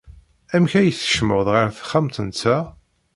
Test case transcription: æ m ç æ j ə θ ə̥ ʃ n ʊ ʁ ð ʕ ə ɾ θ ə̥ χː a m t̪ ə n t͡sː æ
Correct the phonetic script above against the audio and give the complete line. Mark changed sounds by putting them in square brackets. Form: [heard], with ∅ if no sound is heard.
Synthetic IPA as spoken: æ m ç æ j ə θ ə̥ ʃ [m] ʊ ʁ ð [ʁ] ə ɾ θ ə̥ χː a m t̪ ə n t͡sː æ